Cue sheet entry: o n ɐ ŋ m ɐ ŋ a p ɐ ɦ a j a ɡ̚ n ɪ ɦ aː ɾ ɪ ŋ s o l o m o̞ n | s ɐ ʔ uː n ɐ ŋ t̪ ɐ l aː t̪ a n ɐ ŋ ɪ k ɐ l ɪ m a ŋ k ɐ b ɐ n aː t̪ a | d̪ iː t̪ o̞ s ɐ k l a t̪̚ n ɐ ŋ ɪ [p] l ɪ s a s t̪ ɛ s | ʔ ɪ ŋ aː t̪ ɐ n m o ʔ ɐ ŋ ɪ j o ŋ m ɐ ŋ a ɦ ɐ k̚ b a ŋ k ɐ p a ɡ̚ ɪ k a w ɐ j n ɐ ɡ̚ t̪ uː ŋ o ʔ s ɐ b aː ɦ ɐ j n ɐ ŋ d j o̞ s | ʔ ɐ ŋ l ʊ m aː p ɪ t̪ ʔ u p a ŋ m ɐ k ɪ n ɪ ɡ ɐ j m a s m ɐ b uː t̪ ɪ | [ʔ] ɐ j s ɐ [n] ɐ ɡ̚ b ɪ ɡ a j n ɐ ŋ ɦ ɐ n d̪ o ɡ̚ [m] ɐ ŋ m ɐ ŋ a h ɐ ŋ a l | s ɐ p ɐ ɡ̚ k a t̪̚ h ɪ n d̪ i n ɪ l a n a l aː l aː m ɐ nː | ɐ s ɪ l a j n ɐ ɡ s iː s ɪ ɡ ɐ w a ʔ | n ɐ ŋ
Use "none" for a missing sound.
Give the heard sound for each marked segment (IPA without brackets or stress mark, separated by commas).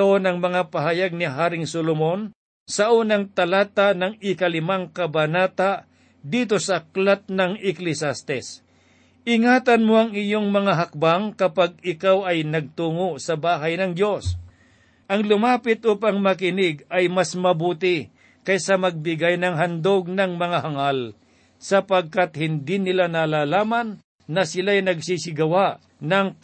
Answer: k, k, m, n